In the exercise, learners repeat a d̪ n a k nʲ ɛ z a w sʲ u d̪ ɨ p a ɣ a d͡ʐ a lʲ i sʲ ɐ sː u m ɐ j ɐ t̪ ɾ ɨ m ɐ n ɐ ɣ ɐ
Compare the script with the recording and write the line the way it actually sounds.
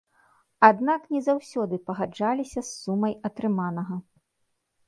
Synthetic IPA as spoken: a d̪ n a k nʲ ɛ z a w sʲ ɔ d̪ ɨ p ɐ ɣ a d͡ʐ a lʲ i sʲ ɐ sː u m ɐ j ɐ t̪ ɾ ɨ m a n ɐ ɣ ɐ